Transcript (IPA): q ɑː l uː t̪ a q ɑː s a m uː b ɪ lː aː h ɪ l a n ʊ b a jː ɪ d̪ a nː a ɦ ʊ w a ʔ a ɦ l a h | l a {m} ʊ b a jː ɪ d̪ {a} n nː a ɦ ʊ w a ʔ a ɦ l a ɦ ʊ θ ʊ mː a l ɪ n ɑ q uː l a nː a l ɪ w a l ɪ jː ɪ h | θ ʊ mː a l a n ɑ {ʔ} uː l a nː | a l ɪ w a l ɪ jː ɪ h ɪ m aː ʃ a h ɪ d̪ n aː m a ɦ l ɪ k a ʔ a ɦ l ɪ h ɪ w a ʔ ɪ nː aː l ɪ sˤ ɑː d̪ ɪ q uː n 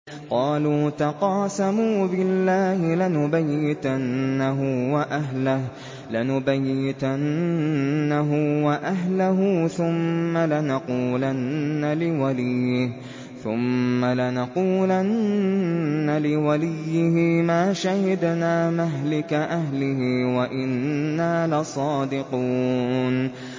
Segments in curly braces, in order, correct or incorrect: incorrect: n, correct, incorrect: q

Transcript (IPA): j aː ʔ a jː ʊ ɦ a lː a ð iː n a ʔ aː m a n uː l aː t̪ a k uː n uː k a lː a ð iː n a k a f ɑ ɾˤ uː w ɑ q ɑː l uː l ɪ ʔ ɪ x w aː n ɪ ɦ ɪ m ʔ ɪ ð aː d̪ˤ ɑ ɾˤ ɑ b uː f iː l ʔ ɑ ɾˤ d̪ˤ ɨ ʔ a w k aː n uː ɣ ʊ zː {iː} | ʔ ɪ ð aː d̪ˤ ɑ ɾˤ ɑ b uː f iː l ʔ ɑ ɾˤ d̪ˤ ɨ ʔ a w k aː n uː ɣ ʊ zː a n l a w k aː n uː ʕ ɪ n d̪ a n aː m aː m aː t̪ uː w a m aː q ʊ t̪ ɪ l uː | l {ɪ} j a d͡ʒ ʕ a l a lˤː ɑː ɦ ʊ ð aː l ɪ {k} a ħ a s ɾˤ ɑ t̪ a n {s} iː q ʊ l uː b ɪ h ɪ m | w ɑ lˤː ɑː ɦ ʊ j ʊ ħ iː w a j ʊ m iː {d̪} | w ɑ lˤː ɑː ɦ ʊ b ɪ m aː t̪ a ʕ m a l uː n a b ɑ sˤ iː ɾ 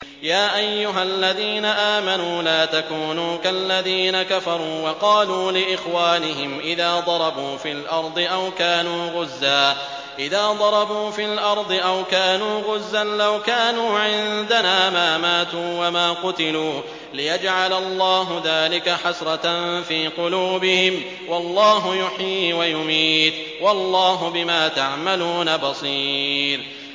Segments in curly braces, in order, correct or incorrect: incorrect: aː, correct, correct, incorrect: f, incorrect: t̪

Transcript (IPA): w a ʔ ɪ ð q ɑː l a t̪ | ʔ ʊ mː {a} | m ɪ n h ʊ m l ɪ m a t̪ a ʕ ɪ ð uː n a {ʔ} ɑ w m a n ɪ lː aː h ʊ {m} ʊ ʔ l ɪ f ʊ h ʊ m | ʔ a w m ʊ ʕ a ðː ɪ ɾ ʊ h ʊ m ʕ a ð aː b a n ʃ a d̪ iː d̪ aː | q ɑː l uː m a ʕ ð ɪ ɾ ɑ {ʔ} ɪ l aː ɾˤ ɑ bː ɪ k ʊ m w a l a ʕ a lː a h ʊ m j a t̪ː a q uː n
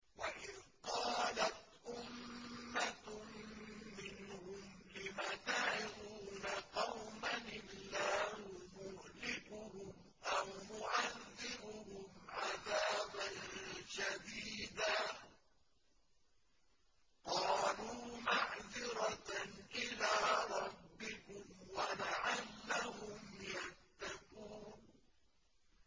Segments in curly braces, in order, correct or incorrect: correct, incorrect: q, correct, correct

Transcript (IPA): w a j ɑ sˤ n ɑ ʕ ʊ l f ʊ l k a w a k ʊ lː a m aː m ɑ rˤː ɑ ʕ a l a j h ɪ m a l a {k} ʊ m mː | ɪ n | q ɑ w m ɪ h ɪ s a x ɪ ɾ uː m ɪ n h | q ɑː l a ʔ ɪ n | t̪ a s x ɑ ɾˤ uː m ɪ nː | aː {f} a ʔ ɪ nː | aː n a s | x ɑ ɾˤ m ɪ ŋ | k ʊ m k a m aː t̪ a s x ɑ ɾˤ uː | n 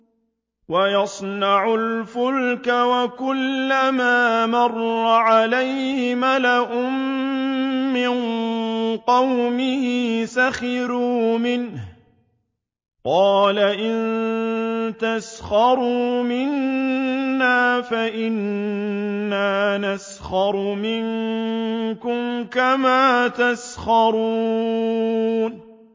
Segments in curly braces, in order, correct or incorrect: incorrect: ʔ, correct

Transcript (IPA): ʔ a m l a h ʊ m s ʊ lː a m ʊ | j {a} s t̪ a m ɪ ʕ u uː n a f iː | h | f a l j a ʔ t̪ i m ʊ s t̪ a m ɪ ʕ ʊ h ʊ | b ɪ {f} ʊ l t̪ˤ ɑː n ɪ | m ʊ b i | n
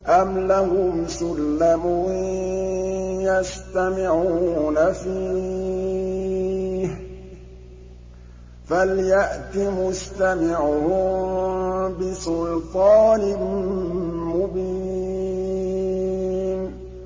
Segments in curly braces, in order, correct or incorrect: correct, incorrect: s

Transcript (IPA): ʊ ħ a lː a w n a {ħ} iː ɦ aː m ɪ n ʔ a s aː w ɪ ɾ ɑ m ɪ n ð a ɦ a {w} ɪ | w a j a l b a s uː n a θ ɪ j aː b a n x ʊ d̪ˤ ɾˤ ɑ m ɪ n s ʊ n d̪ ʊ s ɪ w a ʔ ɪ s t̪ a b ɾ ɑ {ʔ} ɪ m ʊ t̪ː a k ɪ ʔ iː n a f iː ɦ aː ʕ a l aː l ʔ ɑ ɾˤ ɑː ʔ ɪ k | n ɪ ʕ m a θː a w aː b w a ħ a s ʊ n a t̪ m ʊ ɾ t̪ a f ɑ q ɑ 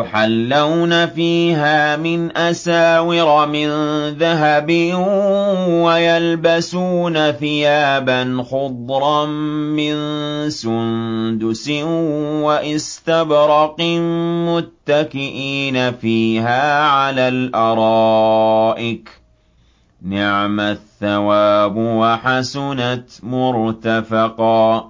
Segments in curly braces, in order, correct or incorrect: incorrect: f, incorrect: b, incorrect: q

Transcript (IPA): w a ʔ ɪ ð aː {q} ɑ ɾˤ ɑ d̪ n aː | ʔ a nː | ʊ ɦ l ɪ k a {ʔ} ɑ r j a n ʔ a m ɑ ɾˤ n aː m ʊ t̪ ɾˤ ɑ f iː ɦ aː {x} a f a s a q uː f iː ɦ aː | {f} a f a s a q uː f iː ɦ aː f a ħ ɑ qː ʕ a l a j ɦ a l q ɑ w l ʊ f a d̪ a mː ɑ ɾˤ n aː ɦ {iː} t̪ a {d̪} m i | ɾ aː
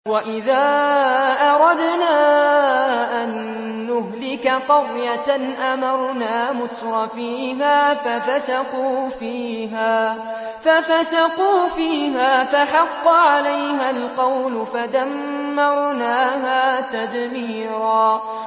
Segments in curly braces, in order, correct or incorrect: incorrect: ʔ, incorrect: q, incorrect: f, correct, incorrect: aː, correct

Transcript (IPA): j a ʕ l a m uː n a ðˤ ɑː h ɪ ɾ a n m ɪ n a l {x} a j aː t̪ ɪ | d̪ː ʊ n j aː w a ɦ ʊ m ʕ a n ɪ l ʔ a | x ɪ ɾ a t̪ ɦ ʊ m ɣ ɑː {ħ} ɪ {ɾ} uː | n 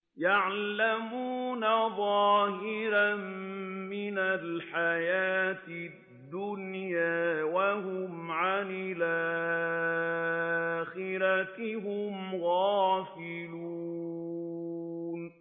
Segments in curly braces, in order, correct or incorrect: incorrect: ħ, incorrect: f, incorrect: l

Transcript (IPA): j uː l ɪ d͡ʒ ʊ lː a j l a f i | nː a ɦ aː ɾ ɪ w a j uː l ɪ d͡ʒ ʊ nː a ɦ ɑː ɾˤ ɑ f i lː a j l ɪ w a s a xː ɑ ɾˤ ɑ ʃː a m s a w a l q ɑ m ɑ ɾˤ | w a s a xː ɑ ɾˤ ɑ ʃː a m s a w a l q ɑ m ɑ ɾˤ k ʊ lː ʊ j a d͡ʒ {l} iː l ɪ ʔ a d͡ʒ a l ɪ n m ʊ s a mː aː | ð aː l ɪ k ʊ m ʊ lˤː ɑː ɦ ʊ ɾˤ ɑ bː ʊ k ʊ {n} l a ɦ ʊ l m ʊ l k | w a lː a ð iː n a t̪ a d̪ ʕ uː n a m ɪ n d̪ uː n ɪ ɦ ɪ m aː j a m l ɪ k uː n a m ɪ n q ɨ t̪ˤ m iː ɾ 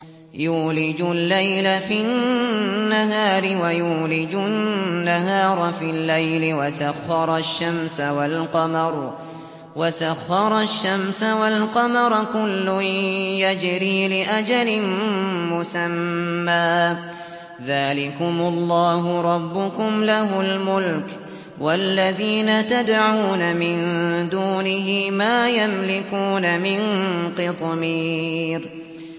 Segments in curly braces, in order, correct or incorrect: incorrect: ɾ, incorrect: m

